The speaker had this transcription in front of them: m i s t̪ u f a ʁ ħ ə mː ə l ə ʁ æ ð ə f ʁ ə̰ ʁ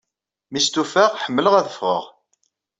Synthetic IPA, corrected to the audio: m i s t̪ u f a ʁ ħ ə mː ə l ə ʁ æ ð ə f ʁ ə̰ ʁ